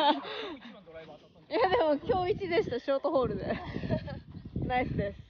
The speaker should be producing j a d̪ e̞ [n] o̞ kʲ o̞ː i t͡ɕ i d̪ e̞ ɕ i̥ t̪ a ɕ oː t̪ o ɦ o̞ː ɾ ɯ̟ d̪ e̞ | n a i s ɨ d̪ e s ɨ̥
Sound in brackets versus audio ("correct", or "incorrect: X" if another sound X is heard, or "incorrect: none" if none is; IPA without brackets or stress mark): incorrect: m